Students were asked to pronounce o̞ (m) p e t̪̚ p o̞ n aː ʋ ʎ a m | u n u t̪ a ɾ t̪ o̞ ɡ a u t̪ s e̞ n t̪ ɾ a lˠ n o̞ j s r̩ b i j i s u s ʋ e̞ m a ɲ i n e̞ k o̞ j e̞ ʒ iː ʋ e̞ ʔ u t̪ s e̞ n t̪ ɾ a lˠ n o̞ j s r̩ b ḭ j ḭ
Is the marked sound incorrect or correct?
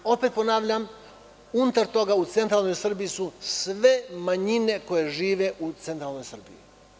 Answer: incorrect